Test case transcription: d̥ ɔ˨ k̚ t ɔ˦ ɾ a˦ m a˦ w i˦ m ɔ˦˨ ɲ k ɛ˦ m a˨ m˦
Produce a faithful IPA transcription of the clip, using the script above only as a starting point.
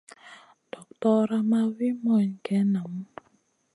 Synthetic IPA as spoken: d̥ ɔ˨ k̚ t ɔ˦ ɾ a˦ m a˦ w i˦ m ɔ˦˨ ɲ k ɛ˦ n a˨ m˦